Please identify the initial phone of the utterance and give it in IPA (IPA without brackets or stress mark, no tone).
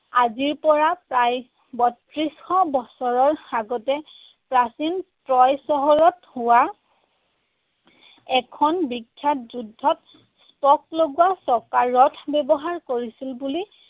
a